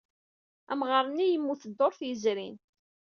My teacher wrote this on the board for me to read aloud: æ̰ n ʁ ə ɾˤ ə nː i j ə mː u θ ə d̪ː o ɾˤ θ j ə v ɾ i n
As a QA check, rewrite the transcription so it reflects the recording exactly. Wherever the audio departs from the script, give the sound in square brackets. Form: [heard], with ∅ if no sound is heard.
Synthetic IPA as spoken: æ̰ [m] ʁ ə ɾˤ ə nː i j ə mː u θ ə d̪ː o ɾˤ θ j ə [z] ɾ i n